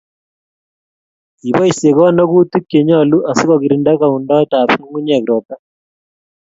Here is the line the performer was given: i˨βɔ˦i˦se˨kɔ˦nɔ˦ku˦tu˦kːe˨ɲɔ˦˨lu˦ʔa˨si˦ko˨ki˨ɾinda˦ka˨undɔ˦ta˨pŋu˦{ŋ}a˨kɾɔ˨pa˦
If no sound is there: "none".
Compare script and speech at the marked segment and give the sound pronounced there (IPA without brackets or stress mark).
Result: ɲ